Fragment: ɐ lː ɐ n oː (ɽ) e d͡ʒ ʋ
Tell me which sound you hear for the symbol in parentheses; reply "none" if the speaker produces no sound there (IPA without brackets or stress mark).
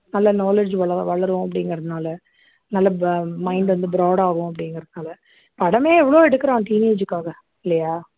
l